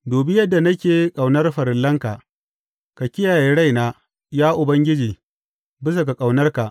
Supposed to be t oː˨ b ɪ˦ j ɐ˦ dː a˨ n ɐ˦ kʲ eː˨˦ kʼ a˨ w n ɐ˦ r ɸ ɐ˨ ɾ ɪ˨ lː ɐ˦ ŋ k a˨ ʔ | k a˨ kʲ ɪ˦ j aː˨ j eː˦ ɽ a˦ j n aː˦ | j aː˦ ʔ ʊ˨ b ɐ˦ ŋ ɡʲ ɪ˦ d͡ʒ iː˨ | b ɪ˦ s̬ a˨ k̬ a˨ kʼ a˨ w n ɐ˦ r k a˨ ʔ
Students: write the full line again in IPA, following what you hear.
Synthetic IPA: d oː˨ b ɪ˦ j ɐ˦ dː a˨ n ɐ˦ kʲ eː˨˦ kʼ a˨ w n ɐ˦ r ɸ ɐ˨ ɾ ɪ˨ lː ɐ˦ ŋ k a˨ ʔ | k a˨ kʲ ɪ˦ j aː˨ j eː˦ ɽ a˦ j n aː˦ | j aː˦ ʔ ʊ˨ b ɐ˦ ŋ ɡʲ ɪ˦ d͡ʒ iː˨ | b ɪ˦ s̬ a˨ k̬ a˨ kʼ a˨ w n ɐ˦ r k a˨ ʔ